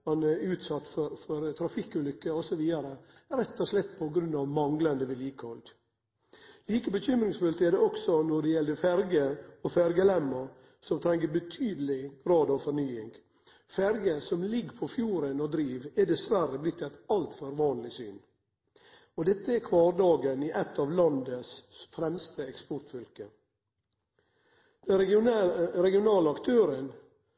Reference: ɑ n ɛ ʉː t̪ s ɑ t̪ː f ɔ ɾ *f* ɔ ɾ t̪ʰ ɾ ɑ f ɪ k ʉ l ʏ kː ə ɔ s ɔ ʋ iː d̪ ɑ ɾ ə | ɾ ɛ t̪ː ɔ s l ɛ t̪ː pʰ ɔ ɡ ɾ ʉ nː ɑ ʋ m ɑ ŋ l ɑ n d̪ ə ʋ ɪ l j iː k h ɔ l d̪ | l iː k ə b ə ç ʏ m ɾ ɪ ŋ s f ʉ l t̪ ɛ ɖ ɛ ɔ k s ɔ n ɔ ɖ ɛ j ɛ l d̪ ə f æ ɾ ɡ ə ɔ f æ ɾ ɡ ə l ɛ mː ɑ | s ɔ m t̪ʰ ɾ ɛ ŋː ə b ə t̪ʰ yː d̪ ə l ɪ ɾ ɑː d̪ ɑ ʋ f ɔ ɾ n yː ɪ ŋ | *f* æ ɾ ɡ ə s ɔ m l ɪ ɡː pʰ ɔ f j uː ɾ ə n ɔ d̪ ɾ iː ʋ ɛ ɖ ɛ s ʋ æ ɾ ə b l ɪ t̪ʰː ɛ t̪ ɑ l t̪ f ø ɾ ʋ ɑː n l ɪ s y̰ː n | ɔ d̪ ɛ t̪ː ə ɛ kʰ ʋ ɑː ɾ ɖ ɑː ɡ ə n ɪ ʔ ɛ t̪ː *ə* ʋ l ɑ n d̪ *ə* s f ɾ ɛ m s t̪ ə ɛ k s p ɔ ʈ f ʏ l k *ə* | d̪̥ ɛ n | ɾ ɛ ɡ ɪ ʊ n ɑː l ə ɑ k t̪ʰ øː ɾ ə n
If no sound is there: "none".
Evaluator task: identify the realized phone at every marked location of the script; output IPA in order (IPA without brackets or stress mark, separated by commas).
f, f, ɑ, ə, ə